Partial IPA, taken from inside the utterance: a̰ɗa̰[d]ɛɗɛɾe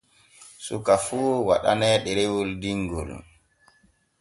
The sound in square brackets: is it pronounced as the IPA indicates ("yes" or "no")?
no